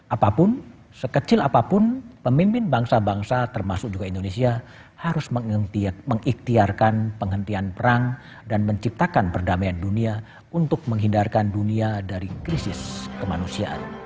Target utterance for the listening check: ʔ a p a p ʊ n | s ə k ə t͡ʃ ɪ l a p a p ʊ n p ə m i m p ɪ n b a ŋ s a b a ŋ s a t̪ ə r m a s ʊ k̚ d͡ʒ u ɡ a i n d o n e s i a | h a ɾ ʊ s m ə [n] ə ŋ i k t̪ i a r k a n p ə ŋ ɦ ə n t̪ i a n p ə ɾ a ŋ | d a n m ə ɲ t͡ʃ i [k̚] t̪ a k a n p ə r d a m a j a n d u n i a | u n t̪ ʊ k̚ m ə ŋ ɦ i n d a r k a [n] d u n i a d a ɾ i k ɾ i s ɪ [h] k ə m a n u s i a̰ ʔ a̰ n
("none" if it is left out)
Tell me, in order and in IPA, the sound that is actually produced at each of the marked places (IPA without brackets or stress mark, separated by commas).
m, p̚, n, s